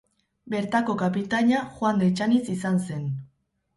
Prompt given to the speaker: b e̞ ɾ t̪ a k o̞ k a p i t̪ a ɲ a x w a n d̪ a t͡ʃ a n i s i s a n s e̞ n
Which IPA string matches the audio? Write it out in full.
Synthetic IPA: b e̞ ɾ t̪ a k o̞ k a p i t̪ a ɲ a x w a n d̪ e t͡ʃ a n i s i s a n s e̞ n